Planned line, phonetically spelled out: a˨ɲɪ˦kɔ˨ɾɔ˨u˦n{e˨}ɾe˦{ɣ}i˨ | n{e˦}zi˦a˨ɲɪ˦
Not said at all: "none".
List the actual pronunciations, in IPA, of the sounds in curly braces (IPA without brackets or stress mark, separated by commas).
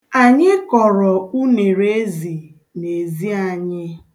e˨, z, e˨